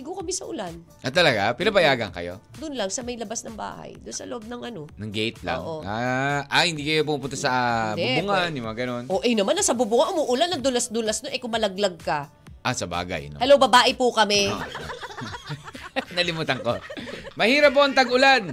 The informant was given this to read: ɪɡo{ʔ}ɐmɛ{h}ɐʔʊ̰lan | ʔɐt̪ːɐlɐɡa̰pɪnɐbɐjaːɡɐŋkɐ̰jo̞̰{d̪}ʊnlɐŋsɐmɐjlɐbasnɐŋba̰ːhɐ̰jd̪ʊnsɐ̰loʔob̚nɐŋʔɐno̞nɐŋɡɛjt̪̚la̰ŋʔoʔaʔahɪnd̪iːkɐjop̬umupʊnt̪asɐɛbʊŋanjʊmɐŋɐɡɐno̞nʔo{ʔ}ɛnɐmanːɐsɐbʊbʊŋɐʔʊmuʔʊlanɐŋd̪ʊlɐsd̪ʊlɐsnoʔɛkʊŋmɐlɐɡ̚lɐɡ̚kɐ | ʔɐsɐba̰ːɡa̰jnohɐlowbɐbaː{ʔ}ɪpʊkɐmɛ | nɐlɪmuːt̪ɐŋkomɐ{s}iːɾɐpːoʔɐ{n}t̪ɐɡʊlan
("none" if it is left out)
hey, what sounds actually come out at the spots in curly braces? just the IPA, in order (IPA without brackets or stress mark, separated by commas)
k, s, d̪, ʔ, ʔ, h, ŋ